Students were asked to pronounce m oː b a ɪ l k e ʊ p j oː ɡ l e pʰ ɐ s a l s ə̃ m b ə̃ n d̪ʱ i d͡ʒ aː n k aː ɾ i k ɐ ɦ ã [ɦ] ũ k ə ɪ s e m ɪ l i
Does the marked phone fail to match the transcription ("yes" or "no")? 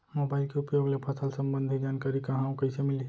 yes